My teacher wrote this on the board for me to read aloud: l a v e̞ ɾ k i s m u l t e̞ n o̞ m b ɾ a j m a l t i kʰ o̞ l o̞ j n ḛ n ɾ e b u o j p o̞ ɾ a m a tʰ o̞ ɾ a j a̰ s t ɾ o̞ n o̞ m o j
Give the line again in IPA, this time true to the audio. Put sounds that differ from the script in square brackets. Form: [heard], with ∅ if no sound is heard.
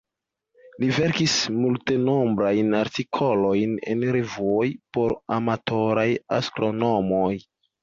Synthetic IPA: l [i] v e̞ ɾ k i s m u l t e̞ n o̞ m b ɾ a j [n] a [ɾ] t i kʰ o̞ l o̞ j n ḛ n ɾ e [v] u o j p o̞ ɾ a m a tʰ o̞ ɾ a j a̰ s t ɾ o̞ n o̞ m o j

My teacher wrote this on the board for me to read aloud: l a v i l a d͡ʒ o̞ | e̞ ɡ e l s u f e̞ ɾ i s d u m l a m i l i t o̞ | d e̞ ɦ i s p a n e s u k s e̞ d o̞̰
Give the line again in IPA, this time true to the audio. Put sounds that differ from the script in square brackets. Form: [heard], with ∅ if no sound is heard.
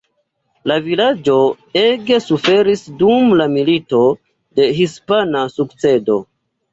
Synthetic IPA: l a v i l a d͡ʒ o̞ | e̞ ɡ e [∅] s u f e̞ ɾ i s d u m l a m i l i t o̞ | d e̞ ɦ i s p a n [a] s u k [t͡s] e̞ d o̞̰

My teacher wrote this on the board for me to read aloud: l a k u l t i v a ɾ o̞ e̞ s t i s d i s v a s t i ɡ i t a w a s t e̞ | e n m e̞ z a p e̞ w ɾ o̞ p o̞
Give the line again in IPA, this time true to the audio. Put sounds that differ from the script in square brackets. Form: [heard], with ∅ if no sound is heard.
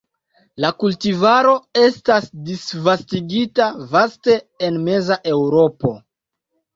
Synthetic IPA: l a k u l t i v a ɾ o̞ e̞ s t [a] s d i s v a s t i ɡ i t a [v] a s t e̞ | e n m e̞ z a [ʔ] e̞ w ɾ o̞ p o̞

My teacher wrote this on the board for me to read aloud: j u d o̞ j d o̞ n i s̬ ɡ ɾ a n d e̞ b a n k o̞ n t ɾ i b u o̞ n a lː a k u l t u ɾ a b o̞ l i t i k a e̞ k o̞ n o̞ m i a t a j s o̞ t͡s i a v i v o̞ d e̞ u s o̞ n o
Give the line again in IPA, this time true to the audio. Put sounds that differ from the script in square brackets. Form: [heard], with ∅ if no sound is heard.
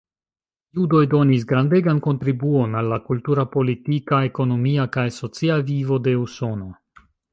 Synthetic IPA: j u d o̞ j d o̞ n i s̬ ɡ ɾ a n d e̞ [ɡ] a n k o̞ n t ɾ i b u o̞ n a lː a k u l t u ɾ a [p] o̞ l i t i k a e̞ k o̞ n o̞ m i a [k] a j s o̞ t͡s i a v i v o̞ d e̞ u s o̞ n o

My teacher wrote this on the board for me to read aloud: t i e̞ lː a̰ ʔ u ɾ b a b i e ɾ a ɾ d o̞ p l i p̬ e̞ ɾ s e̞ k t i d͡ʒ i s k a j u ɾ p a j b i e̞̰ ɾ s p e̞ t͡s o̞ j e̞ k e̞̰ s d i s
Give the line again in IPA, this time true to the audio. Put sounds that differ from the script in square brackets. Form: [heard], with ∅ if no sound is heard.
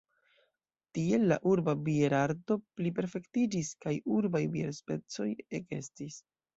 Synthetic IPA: t i e̞ lː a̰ ʔ u ɾ b a b i e ɾ a ɾ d o̞ p l i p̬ e̞ ɾ [f] e̞ k t i d͡ʒ i s k a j u ɾ [b] a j b i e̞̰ ɾ s p e̞ t͡s o̞ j e̞ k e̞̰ s [t] i s

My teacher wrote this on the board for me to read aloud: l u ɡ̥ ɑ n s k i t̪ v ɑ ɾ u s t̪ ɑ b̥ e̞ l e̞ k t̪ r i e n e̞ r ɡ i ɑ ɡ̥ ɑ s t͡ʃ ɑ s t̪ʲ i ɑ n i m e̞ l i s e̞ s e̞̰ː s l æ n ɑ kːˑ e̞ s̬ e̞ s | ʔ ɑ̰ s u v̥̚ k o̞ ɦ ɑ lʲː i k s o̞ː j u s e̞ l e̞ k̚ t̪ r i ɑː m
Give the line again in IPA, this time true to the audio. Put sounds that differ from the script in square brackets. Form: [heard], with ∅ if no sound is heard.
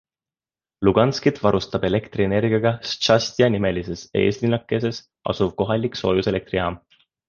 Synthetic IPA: l u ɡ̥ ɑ n s k i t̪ v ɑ ɾ u s t̪ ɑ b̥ e̞ l e̞ k t̪ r i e n e̞ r ɡ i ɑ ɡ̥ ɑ s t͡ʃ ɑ s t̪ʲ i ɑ n i m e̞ l i s e̞ s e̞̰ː s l [i] n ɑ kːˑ e̞ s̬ e̞ s | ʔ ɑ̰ s u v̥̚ k o̞ ɦ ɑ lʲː i k s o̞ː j u s e̞ l e̞ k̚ t̪ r i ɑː m

